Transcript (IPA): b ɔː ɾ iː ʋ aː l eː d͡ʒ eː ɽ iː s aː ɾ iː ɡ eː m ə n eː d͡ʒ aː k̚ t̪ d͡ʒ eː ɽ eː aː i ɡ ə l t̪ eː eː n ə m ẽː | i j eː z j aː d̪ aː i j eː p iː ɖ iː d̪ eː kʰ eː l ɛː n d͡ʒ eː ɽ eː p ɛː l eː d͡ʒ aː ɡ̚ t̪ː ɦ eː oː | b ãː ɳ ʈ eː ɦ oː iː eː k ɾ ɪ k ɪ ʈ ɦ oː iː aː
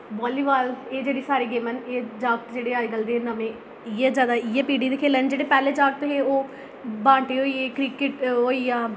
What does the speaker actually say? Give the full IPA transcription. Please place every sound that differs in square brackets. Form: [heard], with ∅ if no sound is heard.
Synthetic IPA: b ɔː [l] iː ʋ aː l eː d͡ʒ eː ɽ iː s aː ɾ iː ɡ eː m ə n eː d͡ʒ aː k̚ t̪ d͡ʒ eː ɽ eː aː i ɡ ə l [d̪] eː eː n ə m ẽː | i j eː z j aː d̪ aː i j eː p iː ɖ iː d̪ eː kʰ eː l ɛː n d͡ʒ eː ɽ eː p ɛː l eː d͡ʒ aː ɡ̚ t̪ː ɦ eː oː | b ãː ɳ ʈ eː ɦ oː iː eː k ɾ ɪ k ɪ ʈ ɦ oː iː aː